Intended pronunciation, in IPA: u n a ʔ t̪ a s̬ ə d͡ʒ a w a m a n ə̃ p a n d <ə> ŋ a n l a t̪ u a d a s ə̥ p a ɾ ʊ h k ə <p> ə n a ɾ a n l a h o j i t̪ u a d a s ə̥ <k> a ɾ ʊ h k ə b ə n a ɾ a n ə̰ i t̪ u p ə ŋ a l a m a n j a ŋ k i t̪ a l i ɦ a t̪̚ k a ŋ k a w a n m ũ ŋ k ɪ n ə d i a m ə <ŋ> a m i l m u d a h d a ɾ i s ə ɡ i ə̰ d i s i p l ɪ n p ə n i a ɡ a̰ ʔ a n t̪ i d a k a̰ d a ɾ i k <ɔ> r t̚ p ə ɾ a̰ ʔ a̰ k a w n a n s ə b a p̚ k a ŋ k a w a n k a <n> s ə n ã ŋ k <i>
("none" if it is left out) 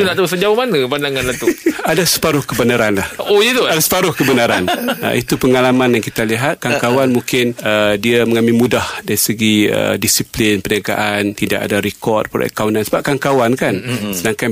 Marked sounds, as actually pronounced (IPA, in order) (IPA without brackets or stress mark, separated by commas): a, b, p, ŋ, ɔ, n, a